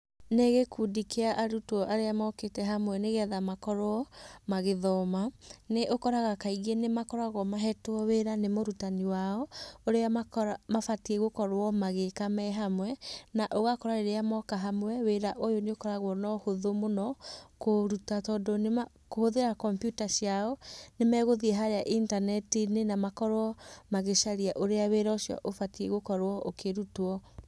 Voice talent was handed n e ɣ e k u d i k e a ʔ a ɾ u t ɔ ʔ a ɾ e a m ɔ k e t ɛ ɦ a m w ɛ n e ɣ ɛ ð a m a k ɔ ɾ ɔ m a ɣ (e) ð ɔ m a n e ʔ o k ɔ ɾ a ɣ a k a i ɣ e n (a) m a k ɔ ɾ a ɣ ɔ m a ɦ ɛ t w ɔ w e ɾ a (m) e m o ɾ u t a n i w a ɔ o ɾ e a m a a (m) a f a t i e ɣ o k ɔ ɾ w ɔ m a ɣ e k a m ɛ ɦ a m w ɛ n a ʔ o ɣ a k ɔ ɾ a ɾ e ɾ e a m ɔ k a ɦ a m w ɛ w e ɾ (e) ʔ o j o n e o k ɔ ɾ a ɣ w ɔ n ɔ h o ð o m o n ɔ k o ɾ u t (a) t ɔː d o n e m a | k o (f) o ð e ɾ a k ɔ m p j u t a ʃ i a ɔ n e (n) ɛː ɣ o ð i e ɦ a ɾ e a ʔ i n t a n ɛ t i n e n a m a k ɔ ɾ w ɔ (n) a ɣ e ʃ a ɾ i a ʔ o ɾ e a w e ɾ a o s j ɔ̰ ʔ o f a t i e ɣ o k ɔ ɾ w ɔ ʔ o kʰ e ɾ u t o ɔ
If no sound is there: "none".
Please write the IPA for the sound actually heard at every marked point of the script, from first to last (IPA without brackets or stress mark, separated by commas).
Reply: e, e, n, m, a, a, h, m, m